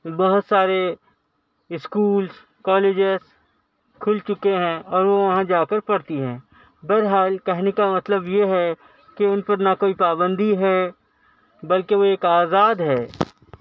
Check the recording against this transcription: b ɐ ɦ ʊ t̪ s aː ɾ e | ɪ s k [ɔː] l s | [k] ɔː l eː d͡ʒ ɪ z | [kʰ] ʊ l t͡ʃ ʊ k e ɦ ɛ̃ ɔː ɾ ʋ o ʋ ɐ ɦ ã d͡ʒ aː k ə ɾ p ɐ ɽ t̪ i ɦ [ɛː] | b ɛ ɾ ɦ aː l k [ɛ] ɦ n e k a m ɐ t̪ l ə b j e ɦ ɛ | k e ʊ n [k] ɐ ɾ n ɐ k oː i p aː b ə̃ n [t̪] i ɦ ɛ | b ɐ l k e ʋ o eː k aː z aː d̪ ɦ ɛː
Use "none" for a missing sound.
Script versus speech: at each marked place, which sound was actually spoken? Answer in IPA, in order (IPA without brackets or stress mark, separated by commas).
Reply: uː, k, kʰ, ɛ̃ː, ɛ, p, d̪